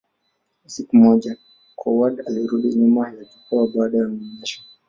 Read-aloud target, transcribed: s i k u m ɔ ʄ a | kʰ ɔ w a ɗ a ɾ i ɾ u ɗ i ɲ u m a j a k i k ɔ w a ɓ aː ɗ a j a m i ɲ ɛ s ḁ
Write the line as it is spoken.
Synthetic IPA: s i k u m ɔ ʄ a | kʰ ɔ w a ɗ a l i ɾ u ɗ i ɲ u m a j a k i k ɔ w a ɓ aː ɗ a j a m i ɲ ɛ ʃ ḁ